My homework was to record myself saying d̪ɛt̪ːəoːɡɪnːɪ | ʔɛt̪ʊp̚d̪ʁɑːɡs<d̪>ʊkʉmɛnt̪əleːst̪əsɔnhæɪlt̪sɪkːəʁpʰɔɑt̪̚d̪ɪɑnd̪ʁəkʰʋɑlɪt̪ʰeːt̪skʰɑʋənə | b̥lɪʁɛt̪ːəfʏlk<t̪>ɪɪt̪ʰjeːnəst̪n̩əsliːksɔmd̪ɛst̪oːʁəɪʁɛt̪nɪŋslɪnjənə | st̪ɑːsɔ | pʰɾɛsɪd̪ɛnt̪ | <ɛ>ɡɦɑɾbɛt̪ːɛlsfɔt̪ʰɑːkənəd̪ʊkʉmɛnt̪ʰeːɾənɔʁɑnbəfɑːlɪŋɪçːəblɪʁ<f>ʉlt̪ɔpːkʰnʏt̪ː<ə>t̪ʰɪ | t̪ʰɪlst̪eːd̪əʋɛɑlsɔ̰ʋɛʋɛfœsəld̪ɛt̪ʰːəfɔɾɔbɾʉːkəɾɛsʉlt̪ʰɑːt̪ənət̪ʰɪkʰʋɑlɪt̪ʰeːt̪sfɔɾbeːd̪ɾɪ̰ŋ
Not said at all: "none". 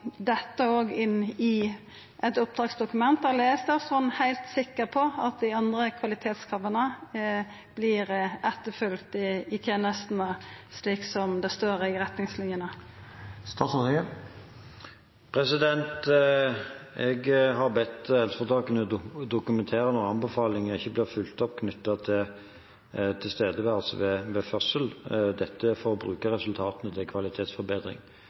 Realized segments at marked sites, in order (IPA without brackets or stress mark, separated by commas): d̪, t̪, ɛ, f, ɑ